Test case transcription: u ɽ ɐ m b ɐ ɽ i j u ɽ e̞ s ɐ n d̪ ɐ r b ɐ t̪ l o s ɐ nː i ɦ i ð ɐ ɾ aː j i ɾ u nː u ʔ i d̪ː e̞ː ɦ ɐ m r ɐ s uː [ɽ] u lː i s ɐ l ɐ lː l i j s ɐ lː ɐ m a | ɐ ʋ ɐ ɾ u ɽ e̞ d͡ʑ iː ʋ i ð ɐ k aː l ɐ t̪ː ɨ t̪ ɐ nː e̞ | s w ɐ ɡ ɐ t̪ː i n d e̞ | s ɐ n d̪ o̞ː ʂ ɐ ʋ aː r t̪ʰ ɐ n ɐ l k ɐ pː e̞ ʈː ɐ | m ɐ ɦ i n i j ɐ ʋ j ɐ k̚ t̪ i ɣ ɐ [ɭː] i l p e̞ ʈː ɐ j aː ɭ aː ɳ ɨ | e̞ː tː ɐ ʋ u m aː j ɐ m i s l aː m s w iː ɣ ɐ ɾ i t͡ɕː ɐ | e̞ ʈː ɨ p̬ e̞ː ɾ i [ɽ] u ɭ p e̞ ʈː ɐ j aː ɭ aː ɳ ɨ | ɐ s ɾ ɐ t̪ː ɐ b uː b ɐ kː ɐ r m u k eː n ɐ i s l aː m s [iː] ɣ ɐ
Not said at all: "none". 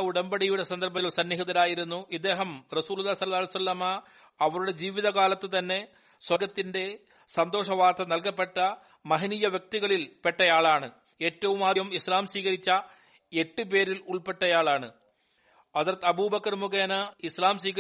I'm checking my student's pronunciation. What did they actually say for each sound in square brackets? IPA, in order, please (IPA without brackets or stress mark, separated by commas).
l, ɭ, l, iː